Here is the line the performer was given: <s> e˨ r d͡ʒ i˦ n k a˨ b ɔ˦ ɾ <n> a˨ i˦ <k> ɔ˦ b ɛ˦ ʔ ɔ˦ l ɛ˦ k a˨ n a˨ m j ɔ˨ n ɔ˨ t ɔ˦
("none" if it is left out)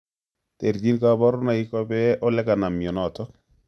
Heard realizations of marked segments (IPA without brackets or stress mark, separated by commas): t, n, k